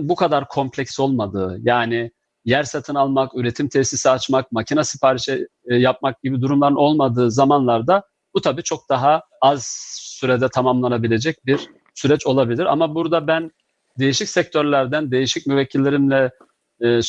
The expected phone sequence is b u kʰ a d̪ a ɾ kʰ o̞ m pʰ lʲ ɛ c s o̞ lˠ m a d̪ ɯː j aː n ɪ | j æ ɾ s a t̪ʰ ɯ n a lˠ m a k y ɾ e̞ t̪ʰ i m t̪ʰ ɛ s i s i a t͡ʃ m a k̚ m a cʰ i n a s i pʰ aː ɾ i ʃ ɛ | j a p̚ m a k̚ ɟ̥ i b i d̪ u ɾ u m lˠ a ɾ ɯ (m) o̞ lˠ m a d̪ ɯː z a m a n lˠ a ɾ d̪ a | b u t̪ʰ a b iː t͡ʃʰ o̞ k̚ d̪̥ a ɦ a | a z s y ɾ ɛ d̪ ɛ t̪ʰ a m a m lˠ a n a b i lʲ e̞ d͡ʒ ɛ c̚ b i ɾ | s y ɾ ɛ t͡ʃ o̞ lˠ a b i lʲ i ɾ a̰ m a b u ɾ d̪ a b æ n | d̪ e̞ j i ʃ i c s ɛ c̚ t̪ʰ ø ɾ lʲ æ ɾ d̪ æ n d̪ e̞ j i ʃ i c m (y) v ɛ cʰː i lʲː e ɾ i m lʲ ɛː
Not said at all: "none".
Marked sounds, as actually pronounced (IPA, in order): n, y

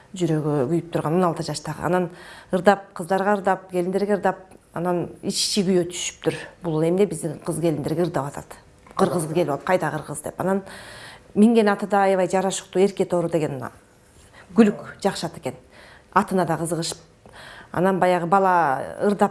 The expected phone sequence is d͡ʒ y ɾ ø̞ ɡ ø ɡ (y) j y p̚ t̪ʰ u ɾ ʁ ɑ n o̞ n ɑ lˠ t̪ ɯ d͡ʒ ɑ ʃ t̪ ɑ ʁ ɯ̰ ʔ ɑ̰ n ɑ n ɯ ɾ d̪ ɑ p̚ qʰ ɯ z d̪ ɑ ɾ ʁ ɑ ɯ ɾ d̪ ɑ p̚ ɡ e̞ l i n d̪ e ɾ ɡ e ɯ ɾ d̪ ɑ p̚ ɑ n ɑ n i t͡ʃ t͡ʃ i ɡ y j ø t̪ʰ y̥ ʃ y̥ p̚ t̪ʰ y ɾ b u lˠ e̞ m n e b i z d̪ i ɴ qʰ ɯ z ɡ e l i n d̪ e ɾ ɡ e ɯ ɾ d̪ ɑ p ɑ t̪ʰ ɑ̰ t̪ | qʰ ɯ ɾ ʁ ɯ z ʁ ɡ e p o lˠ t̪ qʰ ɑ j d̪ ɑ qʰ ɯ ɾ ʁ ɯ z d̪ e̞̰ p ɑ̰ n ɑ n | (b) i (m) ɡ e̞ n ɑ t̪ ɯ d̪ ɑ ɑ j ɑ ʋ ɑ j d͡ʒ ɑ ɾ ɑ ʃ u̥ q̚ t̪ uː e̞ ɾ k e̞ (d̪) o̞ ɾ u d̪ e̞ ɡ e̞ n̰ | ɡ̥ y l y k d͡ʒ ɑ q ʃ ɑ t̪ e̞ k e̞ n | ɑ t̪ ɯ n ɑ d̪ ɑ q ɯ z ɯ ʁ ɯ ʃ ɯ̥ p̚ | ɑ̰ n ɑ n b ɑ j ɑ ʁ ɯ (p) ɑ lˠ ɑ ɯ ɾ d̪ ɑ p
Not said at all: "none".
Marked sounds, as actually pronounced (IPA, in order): y, m, ŋ, t̪, b

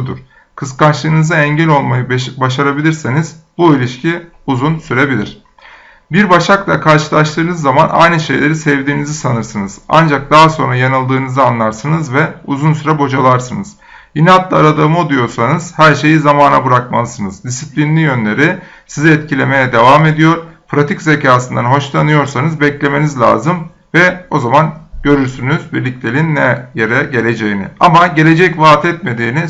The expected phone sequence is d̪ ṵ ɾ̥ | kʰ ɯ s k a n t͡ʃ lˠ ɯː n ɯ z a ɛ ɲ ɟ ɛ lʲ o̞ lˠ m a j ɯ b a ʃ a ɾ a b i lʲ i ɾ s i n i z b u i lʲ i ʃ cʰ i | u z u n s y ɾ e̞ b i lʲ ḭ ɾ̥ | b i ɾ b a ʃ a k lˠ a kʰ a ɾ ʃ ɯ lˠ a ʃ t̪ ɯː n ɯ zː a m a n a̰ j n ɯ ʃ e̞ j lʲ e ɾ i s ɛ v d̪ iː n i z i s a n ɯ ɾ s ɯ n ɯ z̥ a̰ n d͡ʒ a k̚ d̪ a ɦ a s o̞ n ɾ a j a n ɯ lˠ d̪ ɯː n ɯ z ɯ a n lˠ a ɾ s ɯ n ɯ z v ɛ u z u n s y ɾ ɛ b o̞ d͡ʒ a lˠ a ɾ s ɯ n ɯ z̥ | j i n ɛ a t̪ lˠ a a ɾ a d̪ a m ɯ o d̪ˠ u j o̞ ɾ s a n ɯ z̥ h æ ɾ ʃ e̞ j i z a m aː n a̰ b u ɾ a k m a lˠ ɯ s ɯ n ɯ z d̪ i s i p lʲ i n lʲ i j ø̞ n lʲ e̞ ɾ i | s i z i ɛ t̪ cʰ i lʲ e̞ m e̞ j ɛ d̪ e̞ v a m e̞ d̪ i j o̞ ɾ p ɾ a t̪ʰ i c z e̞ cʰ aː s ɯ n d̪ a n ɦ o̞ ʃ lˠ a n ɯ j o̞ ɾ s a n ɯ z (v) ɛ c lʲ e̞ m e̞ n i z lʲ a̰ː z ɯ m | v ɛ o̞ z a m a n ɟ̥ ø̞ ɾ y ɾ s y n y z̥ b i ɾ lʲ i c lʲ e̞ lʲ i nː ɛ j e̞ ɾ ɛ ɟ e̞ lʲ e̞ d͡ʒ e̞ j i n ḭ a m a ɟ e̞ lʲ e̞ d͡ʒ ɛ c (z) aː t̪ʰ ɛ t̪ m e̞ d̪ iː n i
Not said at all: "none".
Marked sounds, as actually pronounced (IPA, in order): b, v

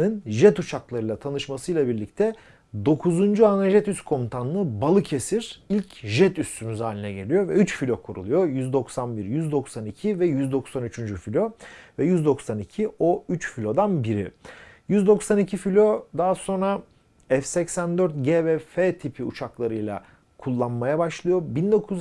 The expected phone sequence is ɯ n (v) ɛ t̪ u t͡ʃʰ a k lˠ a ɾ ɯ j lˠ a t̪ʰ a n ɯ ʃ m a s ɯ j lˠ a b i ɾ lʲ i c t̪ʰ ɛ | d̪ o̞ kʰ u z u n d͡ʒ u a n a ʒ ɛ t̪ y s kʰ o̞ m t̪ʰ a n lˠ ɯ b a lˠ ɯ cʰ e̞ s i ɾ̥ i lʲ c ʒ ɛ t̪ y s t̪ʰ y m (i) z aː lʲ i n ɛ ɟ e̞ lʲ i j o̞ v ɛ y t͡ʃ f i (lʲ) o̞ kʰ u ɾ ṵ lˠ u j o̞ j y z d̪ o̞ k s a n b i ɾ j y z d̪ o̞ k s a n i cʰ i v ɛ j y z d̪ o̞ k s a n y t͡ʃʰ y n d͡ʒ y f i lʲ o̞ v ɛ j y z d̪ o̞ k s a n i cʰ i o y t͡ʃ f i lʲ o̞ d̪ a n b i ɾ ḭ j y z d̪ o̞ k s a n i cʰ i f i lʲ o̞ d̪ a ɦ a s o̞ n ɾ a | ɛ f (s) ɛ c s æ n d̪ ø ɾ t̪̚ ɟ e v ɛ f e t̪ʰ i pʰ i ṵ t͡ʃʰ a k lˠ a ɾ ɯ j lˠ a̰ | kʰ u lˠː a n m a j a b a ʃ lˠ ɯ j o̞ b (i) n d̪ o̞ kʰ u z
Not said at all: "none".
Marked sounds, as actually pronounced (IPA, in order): ʒ, y, lʲ, s, i

